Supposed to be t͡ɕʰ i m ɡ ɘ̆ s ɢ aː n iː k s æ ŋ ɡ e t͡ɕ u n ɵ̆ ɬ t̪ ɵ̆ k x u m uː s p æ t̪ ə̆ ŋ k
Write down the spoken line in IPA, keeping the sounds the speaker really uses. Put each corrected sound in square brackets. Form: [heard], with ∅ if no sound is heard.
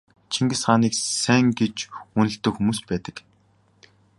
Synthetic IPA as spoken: t͡ɕʰ i [ŋ] ɡ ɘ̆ s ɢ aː n iː k s æ ŋ ɡ e t͡ɕ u n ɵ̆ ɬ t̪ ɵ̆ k x u m uː s p [æː] t̪ ə̆ [∅] k